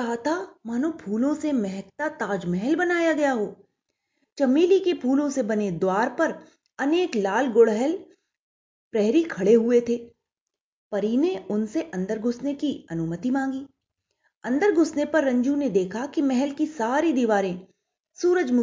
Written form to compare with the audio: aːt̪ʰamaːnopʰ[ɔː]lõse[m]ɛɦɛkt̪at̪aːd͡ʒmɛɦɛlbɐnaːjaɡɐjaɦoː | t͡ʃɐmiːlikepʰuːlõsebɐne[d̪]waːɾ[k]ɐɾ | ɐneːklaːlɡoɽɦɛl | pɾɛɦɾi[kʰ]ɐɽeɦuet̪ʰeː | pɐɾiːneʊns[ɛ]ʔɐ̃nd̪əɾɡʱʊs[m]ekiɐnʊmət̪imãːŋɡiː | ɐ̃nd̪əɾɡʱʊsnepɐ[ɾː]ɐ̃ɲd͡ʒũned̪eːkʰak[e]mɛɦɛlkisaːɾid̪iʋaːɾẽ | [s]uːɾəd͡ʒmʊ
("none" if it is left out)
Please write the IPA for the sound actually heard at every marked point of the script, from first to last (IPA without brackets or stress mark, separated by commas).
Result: uː, m, d̪, p, kʰ, e, n, ɾː, i, s